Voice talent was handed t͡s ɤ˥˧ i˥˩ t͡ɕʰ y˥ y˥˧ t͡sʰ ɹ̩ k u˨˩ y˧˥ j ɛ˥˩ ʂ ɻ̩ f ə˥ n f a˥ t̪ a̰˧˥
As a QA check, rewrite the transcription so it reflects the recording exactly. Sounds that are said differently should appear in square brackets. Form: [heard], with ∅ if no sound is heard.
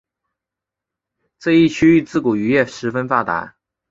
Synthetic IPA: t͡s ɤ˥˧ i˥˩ t͡ɕʰ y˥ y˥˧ [t͡s] ɹ̩ k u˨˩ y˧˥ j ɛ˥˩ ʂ ɻ̩ f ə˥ n f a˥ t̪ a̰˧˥